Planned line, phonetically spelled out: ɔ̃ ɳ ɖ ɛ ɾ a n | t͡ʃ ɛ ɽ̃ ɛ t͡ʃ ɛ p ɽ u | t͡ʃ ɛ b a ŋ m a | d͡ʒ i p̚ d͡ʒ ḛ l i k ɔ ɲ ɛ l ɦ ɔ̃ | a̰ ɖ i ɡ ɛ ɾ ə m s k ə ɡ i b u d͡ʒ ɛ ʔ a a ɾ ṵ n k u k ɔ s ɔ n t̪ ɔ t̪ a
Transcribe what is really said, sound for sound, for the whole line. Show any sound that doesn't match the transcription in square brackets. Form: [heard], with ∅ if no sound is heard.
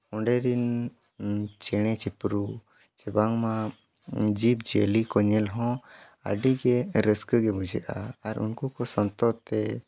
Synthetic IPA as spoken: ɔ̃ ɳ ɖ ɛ ɾ [i] n | t͡ʃ ɛ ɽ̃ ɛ t͡ʃ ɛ p [ɾ] u | t͡ʃ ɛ b a ŋ m a | d͡ʒ i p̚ d͡ʒ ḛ l i k ɔ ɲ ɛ l ɦ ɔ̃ | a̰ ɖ i ɡ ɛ ɾ ə [∅] s k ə ɡ [ɛ] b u d͡ʒ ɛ ʔ a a ɾ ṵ n k u k ɔ s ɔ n t̪ ɔ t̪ [ɛ]